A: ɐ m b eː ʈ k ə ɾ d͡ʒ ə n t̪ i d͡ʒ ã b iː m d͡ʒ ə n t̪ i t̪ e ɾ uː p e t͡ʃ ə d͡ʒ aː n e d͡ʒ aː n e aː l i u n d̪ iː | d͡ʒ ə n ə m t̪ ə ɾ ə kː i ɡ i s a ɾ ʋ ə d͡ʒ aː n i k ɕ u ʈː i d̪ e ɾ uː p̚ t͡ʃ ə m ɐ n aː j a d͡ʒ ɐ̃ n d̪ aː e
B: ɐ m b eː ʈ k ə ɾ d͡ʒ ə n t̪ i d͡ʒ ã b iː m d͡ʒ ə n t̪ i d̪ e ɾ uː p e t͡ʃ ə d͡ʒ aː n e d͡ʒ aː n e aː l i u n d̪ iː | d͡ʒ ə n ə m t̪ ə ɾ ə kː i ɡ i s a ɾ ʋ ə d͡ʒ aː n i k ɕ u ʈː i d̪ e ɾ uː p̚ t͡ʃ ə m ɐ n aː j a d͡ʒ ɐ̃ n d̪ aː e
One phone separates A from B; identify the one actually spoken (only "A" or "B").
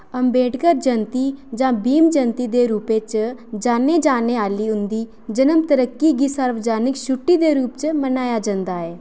B